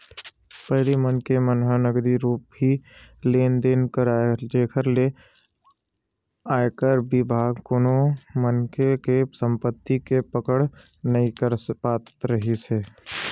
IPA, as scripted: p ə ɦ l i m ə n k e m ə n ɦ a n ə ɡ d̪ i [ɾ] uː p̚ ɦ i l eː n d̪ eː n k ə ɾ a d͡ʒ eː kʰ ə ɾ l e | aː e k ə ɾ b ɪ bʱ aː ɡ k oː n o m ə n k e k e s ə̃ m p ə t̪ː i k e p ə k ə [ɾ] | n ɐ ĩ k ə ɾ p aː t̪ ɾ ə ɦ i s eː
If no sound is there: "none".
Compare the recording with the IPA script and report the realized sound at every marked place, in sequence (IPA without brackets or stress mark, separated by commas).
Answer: ɾ, ɽ